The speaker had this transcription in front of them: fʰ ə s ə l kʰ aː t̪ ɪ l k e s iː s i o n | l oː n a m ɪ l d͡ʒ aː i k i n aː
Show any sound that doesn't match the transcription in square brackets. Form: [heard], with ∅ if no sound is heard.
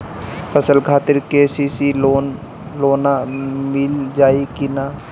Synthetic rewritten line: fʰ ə s ə l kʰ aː t̪ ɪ [ɾ] k e s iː s i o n | l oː n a m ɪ l d͡ʒ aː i k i n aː